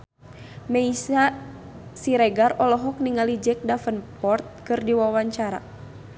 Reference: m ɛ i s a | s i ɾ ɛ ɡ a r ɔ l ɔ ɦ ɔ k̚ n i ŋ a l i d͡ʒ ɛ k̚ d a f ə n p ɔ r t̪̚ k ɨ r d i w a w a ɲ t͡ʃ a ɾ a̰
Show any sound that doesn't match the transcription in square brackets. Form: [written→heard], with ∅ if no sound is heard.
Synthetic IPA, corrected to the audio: m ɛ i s a | s i ɾ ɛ ɡ a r ɔ l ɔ ɦ ɔ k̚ n i ŋ a l i d͡ʒ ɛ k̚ d a f ə n p ɔ r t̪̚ k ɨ r d i w a w a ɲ t͡ʃ a ɾ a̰